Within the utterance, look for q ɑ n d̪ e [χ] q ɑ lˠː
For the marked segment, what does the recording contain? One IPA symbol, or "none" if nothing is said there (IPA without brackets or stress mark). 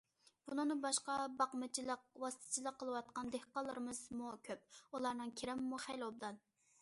h